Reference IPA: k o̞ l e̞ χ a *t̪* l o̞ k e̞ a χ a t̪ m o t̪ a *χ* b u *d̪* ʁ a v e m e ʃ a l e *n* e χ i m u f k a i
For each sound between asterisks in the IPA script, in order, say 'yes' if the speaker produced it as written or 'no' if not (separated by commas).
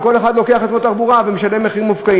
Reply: no, no, no, no